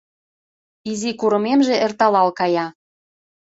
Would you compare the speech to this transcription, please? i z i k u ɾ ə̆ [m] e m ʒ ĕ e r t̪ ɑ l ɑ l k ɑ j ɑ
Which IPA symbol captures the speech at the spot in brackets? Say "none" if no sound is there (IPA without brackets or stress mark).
m